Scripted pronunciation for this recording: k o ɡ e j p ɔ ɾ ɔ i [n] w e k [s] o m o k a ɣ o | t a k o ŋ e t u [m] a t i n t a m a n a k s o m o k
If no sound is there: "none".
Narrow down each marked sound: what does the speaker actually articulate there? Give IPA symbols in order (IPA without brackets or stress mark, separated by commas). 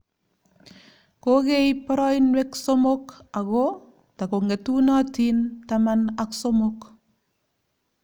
n, s, n